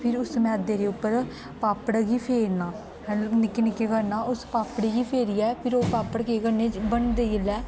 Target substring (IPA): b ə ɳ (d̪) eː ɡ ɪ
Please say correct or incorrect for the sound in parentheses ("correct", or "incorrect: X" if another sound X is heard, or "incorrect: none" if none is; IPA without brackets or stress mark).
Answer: correct